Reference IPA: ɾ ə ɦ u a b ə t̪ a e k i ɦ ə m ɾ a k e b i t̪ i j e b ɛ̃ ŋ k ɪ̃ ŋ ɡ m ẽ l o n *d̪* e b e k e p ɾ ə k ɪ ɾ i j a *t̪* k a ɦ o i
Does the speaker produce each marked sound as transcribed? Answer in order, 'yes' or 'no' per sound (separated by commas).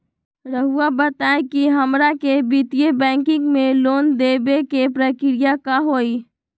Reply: yes, no